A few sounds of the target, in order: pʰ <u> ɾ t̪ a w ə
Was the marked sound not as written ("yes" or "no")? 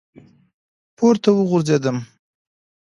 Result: yes